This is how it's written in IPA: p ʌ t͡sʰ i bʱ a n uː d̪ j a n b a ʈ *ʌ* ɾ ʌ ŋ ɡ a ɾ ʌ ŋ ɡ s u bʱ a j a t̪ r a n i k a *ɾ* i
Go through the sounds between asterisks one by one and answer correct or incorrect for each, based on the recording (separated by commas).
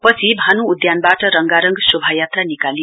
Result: correct, incorrect